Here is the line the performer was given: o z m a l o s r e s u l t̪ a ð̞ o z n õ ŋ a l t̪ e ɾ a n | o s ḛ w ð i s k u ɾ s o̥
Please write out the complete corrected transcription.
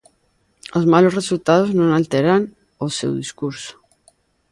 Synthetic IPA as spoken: o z m a l o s r e s u l t̪ a ð̞ o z n õ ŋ a l t̪ e ɾ a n | o s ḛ w ð i s k u ɾ s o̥